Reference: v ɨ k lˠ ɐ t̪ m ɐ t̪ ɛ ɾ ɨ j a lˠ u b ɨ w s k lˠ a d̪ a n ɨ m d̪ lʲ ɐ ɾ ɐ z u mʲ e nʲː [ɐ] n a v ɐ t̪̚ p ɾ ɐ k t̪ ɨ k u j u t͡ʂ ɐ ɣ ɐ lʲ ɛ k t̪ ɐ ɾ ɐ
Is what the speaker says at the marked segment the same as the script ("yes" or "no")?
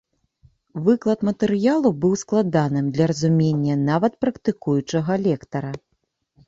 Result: yes